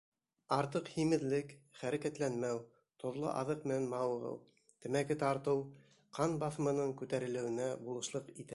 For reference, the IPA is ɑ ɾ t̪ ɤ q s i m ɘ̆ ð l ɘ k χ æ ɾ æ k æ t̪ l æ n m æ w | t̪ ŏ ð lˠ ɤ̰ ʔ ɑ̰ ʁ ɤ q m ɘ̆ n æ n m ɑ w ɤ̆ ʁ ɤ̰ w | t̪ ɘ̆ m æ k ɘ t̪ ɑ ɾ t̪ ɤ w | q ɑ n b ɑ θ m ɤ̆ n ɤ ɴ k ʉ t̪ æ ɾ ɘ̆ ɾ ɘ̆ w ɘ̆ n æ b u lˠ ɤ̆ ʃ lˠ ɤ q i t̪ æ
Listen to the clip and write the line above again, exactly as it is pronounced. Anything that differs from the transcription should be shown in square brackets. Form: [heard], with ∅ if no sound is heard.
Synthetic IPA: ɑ ɾ t̪ ɤ q [h] i m ɘ̆ ð l ɘ k χ æ ɾ æ k æ t̪ l æ n m æ w | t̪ ŏ ð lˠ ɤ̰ ʔ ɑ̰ [ð] ɤ q m ɘ̆ n æ n m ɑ w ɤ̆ ʁ ɤ̰ w | t̪ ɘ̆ m æ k ɘ t̪ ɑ ɾ t̪ ɤ w | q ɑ n b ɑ θ m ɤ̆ n ɤ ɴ k ʉ t̪ æ ɾ ɘ̆ [l] ɘ̆ w ɘ̆ n æ b u lˠ ɤ̆ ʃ lˠ ɤ q i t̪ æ